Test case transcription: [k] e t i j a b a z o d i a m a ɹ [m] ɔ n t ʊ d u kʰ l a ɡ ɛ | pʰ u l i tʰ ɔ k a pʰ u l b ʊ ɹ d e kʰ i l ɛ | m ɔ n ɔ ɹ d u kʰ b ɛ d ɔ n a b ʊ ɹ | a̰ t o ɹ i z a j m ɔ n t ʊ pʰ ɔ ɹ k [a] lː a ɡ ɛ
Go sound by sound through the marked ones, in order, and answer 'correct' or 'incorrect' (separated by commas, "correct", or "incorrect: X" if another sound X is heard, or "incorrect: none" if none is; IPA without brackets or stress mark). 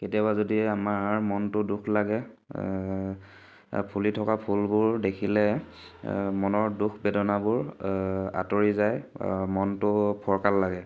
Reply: correct, correct, correct